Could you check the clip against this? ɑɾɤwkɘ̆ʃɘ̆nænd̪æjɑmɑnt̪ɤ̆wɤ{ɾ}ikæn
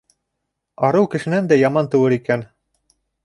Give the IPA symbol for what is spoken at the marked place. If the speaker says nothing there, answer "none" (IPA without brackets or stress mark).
ɾ